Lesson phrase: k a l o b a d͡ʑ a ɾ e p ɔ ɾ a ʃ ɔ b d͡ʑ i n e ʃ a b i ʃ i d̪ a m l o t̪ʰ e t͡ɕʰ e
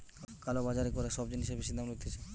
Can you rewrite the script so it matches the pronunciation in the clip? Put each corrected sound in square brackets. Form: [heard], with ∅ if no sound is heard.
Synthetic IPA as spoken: k a l o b a d͡ʑ a ɾ e [k] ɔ ɾ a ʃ ɔ b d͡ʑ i n [i] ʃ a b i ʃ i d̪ a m l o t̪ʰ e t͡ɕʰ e